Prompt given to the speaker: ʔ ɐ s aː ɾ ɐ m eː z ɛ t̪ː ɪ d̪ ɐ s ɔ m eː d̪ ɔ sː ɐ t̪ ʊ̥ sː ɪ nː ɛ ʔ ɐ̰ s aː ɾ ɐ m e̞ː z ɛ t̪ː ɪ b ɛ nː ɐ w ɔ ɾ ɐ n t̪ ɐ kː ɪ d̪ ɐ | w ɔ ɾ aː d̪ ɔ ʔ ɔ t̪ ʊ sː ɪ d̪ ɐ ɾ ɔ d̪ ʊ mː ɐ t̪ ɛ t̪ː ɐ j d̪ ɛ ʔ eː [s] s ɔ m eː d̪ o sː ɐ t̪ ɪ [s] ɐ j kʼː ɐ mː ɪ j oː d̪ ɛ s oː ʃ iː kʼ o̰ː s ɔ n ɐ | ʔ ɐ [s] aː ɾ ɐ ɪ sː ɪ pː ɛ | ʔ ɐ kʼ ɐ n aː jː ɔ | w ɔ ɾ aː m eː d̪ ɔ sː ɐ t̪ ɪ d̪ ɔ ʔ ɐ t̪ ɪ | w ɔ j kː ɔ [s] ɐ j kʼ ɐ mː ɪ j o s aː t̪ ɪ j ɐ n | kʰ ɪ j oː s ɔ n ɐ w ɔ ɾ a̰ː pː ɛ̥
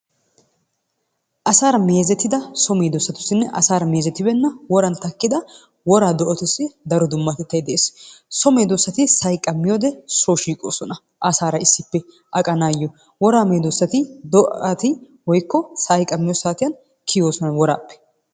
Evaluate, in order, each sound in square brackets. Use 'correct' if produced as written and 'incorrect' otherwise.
correct, correct, correct, correct

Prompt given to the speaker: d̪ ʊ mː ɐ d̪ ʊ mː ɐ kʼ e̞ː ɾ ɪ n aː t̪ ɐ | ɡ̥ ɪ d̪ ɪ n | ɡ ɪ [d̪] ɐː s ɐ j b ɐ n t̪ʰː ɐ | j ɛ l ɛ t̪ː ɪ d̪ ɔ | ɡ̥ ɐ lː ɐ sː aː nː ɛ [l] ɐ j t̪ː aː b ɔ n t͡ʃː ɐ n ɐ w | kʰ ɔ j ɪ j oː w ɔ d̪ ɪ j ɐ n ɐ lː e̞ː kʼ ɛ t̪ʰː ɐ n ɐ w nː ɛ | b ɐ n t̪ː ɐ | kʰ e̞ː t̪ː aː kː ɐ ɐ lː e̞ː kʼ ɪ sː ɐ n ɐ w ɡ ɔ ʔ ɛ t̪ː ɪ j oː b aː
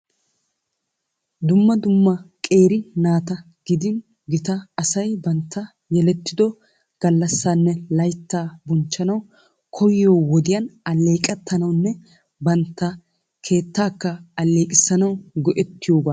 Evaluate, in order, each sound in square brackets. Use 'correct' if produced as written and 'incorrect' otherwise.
incorrect, correct

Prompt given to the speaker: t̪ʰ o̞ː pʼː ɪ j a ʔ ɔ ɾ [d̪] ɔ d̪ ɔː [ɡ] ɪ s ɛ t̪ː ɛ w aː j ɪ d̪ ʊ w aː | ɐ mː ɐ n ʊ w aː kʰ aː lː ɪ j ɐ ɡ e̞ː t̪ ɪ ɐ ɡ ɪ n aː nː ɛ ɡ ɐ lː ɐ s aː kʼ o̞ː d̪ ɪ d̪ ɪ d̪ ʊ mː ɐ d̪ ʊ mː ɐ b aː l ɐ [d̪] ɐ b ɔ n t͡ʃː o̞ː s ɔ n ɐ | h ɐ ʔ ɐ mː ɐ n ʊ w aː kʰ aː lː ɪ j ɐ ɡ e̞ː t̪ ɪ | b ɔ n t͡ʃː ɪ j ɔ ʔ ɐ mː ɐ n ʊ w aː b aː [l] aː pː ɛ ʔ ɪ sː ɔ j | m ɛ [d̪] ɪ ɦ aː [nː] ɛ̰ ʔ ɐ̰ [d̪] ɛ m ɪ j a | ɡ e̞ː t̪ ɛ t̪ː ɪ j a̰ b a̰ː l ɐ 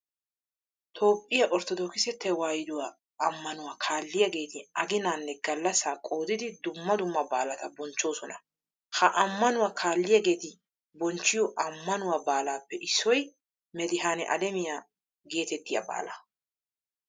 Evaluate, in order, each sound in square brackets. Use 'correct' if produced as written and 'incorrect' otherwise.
incorrect, incorrect, incorrect, correct, correct, incorrect, correct

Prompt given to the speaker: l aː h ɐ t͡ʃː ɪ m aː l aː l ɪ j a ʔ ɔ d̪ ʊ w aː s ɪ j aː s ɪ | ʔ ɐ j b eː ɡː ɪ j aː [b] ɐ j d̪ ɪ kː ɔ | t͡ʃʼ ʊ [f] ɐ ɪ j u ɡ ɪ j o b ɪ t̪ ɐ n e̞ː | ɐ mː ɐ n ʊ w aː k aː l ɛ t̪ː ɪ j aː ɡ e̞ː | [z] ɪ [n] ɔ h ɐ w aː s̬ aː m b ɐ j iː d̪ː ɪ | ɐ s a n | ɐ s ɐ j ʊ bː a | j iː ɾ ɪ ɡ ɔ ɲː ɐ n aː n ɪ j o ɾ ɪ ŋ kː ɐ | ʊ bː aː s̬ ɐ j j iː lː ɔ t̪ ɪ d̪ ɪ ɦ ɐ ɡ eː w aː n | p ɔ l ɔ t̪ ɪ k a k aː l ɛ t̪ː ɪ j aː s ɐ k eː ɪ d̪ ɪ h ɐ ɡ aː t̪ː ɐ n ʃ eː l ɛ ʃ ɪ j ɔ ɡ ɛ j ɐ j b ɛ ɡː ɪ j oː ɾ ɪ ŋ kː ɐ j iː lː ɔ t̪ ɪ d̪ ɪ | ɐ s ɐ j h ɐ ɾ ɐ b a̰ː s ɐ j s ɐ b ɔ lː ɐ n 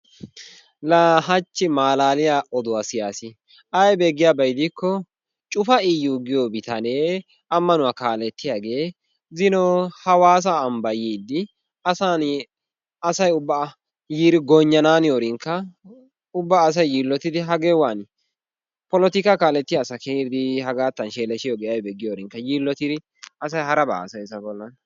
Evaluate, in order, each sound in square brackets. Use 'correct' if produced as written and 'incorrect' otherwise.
correct, correct, correct, correct

